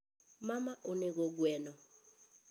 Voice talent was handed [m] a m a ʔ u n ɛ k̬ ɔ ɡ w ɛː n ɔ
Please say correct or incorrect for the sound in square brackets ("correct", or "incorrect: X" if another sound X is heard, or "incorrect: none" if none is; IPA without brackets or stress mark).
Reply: correct